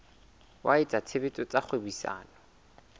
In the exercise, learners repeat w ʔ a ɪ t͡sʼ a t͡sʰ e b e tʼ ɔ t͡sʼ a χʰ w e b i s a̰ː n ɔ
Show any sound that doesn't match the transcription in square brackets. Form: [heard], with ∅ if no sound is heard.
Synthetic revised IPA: w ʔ a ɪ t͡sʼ a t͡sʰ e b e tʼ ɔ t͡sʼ a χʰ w e b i s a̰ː n ɔ